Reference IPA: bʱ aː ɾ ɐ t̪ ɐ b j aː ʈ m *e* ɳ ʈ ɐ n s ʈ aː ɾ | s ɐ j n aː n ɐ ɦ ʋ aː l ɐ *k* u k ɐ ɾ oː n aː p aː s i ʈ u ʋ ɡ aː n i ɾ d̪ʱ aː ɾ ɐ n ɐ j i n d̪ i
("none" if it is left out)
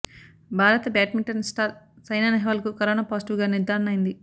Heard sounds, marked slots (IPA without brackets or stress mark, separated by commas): i, k